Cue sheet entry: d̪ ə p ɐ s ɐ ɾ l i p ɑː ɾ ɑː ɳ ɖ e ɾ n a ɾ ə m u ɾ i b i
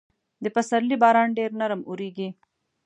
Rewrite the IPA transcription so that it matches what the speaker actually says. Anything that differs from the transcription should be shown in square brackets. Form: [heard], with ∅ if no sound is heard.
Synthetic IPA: d̪ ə p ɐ s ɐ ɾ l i [b] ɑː ɾ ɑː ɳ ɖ e ɾ n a ɾ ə m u ɾ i [ɡ] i